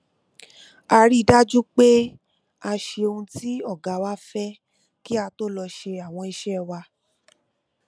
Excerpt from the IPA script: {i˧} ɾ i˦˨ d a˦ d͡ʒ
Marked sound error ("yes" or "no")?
yes